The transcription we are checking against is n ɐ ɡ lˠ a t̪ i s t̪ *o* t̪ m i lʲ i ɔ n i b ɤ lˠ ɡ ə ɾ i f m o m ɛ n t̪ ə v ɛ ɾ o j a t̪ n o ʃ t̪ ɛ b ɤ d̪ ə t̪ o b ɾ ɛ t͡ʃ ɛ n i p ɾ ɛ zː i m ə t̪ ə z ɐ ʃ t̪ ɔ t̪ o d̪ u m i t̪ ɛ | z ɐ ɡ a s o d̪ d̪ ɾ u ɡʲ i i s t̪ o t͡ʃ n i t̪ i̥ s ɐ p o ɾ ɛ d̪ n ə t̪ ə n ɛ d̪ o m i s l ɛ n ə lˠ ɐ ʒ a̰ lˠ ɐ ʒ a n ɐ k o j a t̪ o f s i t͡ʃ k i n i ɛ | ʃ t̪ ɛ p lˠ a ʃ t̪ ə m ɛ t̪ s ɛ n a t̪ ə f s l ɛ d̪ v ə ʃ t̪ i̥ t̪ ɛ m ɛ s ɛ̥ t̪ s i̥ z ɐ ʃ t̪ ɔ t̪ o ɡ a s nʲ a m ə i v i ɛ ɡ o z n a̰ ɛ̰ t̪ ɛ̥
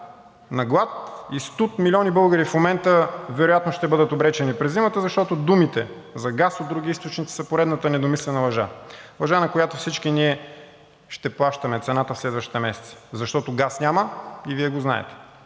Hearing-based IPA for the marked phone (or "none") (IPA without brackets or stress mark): u